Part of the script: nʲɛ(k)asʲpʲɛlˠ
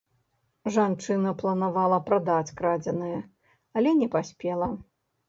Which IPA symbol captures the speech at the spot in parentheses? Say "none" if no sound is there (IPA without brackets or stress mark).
p